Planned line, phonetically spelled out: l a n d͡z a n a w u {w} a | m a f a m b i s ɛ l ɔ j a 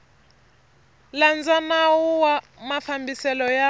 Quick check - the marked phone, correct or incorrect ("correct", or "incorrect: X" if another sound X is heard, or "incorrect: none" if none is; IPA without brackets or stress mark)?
correct